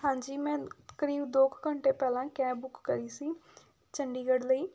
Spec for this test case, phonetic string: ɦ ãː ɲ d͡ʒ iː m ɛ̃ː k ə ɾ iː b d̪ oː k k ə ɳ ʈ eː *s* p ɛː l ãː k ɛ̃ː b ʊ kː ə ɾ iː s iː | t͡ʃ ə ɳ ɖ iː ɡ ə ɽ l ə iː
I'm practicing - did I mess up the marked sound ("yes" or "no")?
yes